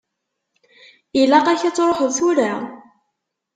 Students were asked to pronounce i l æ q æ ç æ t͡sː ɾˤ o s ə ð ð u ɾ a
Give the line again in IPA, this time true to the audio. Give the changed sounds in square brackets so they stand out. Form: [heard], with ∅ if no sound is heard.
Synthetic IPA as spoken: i l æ q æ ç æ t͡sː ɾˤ o [ħ] ə ð [θ] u ɾ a